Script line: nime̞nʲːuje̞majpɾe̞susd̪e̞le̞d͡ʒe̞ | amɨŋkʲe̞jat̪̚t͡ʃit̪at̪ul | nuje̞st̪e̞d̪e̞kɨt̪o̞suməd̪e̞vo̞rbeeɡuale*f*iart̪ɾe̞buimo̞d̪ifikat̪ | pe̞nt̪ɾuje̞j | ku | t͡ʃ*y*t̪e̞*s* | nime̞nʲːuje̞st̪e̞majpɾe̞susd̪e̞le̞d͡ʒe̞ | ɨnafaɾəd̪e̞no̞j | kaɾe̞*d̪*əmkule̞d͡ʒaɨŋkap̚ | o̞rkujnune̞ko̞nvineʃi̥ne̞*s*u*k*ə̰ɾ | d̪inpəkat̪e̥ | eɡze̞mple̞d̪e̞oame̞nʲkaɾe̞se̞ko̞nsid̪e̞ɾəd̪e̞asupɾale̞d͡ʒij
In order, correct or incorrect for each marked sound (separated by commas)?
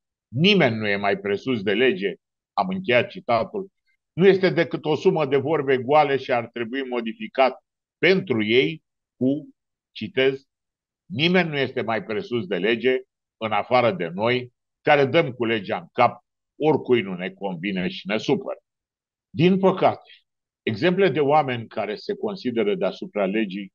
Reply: incorrect, incorrect, incorrect, correct, correct, incorrect